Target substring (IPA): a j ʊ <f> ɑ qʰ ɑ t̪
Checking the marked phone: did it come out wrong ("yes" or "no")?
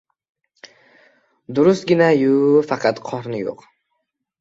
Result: no